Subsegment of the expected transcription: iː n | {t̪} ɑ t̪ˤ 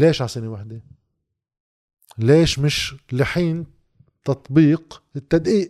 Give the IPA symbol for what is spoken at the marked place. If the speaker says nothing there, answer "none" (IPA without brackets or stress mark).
t̪